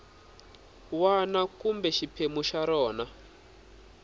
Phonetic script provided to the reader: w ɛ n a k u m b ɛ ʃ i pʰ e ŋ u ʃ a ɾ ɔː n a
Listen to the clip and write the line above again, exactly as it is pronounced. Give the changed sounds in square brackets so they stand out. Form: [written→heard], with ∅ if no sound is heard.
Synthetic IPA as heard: w [ɛ→a] n a k u m b ɛ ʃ i pʰ e [ŋ→m] u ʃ a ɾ ɔː n a